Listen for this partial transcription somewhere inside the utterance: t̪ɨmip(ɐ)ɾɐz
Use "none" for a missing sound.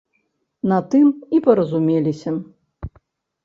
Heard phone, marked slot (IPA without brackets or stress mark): ɐ